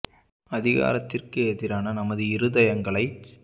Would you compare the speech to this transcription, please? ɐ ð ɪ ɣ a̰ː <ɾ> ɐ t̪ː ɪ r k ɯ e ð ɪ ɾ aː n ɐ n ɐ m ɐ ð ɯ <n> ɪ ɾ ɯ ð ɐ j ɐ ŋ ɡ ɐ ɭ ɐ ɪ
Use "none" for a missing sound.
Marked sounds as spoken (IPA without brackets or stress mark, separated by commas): ɾ, none